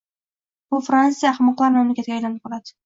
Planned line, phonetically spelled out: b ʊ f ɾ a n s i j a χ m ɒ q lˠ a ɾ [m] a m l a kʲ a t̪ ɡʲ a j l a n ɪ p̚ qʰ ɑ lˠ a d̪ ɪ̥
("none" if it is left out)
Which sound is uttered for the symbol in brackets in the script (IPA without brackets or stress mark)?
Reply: m